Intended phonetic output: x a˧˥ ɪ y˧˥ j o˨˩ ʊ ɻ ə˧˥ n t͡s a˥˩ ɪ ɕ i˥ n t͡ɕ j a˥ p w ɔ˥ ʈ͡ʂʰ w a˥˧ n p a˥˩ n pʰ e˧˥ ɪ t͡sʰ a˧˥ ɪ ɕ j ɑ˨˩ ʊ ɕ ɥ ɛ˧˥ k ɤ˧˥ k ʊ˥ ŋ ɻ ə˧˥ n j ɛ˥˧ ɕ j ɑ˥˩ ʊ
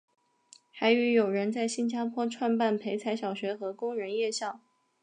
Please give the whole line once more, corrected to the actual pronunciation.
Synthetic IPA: x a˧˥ ɪ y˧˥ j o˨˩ ʊ ɻ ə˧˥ n t͡s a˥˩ ɪ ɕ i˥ n t͡ɕ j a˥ pʰ w ɔ˥ ʈ͡ʂʰ w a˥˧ n p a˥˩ n pʰ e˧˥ ɪ t͡sʰ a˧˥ ɪ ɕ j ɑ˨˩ ʊ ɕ ɥ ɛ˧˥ x ɤ˧˥ k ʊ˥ ŋ ɻ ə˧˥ n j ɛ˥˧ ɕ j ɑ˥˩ ʊ